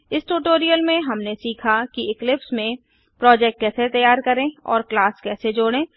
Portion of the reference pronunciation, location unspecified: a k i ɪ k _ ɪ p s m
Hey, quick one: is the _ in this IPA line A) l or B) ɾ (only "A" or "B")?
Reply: A